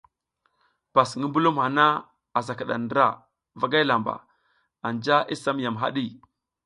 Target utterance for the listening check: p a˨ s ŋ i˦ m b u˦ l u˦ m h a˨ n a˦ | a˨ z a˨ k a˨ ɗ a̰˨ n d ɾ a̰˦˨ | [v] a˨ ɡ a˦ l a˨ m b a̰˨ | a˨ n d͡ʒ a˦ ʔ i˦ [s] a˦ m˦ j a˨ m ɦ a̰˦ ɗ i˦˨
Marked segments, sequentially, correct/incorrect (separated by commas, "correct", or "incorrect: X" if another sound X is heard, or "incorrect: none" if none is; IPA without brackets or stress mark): correct, correct